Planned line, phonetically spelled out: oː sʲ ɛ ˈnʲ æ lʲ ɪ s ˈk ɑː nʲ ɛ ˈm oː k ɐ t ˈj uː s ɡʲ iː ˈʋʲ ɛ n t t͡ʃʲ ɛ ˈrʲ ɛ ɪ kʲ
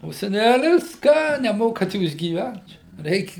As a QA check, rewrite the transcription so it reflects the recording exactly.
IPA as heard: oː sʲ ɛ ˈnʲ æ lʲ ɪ s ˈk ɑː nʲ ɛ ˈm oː k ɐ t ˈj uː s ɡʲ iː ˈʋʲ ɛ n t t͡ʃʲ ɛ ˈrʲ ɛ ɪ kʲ